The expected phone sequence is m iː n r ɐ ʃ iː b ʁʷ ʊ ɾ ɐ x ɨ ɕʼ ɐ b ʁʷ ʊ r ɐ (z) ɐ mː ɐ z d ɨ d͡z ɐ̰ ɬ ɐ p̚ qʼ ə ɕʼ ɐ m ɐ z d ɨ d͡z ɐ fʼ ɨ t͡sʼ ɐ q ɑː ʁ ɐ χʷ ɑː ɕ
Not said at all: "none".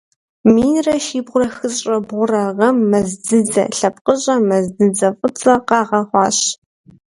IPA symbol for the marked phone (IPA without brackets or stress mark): ʁ